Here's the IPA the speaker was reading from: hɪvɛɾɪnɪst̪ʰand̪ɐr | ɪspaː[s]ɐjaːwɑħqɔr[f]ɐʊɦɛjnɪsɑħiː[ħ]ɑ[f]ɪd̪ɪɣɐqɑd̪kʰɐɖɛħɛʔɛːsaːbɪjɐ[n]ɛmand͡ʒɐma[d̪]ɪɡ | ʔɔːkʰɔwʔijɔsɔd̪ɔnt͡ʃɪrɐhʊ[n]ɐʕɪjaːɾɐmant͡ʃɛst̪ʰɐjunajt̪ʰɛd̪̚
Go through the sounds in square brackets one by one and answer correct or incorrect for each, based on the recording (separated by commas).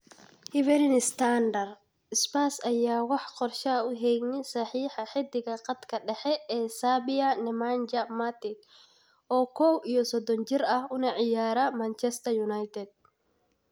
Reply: correct, incorrect, correct, incorrect, correct, incorrect, correct